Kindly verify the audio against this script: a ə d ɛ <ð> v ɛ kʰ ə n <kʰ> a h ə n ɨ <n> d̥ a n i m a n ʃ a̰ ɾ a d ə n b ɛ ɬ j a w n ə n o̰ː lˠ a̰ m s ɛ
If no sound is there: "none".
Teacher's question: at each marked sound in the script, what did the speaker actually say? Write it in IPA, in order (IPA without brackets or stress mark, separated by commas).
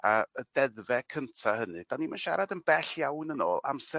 ð, tʰ, none